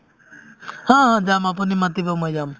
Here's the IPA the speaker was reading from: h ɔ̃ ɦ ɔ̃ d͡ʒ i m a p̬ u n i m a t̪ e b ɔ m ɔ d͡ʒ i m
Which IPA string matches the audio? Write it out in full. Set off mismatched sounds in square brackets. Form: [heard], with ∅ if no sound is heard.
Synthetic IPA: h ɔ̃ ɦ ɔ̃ d͡ʒ [a] m a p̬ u n i m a t̪ [i] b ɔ m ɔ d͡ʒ [a] m